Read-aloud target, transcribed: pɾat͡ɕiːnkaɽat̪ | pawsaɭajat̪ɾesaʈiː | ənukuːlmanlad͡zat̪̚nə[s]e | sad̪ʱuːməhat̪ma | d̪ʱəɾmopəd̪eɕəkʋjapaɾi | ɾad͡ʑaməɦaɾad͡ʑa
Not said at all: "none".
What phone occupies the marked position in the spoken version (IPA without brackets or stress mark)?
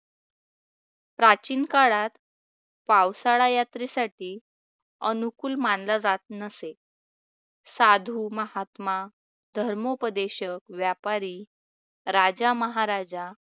s